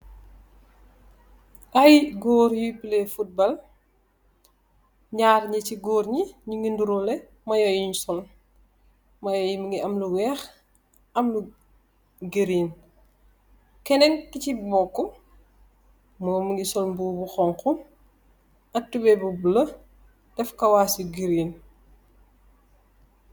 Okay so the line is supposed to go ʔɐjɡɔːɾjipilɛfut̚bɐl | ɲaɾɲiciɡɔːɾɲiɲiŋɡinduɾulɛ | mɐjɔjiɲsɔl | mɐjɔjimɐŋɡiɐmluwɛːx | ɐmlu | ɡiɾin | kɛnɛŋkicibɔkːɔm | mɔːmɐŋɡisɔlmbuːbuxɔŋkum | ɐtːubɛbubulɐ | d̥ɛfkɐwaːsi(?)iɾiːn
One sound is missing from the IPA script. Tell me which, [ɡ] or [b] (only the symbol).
ɡ